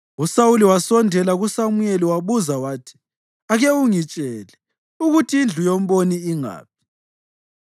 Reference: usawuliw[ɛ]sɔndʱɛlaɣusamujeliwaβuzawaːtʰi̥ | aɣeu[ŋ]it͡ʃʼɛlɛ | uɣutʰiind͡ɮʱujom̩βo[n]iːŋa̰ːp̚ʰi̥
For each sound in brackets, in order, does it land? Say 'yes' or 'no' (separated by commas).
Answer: no, yes, yes